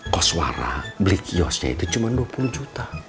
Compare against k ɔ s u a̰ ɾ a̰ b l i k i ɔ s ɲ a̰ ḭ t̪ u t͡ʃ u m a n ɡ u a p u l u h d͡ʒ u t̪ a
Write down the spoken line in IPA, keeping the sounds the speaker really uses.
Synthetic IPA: k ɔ s w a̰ ɾ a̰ b l i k i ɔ s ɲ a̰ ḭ t̪ u t͡ʃ u m a n d u a p u l u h d͡ʒ u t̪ a